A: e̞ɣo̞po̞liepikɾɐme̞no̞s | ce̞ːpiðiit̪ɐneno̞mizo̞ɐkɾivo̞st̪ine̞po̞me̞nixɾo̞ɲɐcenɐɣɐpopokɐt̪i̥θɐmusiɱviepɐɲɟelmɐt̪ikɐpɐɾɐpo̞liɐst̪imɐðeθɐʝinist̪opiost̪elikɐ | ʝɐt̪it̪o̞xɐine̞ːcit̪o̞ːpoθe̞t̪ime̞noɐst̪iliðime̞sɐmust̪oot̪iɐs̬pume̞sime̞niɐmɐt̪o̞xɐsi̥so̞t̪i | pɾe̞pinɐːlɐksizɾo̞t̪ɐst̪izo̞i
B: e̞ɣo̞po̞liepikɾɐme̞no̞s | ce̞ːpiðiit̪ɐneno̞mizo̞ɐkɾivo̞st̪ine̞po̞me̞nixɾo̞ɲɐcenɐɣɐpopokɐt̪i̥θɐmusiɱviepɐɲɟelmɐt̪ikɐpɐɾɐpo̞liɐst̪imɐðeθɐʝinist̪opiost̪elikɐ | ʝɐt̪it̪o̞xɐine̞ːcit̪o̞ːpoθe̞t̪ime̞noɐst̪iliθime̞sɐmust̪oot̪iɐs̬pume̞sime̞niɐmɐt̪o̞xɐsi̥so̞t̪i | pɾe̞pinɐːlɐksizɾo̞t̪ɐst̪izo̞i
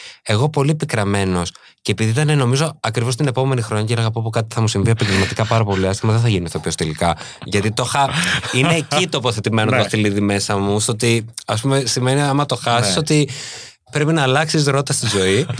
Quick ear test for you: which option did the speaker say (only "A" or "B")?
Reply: A